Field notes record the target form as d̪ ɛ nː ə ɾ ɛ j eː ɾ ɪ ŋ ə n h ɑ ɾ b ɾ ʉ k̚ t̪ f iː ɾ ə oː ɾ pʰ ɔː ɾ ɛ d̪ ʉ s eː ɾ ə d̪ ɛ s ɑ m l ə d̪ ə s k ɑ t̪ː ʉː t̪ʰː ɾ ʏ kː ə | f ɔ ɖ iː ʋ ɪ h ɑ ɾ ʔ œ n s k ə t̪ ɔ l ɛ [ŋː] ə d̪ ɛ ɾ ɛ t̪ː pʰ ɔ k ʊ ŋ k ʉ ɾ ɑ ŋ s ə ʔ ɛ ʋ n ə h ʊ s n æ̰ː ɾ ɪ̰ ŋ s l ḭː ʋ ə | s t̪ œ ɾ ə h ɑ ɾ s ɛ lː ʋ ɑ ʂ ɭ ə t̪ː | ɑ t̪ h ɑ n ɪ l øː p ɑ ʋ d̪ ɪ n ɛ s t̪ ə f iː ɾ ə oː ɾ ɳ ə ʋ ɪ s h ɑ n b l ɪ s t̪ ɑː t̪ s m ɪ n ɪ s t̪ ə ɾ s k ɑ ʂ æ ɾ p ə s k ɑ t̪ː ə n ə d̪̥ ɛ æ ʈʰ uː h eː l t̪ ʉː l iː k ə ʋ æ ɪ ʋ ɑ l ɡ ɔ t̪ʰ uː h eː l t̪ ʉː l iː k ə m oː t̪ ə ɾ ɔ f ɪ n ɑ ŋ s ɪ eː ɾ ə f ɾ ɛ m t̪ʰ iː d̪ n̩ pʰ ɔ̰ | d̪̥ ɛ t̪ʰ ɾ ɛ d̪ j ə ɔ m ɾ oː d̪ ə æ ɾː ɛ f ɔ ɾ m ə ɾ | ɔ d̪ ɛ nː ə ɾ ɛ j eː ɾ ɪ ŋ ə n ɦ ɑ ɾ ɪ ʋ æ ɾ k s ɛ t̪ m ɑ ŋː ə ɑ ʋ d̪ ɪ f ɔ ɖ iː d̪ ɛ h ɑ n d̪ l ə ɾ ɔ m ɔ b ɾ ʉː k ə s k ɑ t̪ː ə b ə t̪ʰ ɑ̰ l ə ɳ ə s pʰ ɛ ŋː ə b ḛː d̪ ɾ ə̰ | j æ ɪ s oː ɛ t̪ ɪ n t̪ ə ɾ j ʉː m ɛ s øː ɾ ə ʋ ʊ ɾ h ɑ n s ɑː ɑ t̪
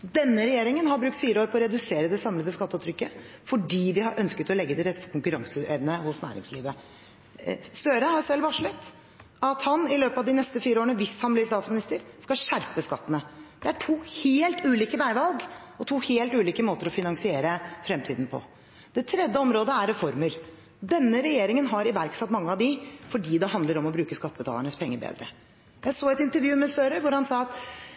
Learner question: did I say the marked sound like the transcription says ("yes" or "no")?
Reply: no